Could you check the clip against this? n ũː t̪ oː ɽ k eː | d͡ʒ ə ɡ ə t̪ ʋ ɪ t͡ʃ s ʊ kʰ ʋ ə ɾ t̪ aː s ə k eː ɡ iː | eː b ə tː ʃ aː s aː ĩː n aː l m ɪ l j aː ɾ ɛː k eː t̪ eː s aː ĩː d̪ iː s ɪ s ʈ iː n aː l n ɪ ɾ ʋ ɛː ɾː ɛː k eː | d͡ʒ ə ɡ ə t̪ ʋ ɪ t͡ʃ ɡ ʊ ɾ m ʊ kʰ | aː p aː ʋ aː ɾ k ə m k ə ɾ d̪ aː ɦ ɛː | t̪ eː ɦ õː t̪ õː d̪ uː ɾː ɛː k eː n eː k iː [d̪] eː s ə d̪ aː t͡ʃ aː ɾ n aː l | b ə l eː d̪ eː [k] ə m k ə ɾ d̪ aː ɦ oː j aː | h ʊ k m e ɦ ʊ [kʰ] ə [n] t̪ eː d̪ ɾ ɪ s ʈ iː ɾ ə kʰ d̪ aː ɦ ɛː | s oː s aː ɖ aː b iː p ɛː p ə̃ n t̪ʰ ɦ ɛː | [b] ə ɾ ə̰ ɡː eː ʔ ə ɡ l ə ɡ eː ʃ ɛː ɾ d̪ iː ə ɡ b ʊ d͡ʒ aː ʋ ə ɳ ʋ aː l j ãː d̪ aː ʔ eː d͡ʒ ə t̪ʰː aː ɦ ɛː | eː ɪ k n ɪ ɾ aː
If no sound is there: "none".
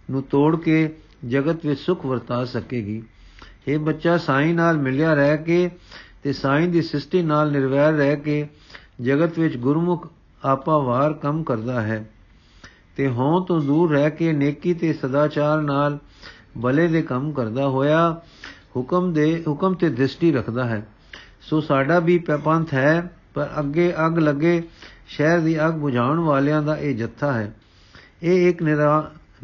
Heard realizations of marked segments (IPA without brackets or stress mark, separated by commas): t̪, k, k, m, p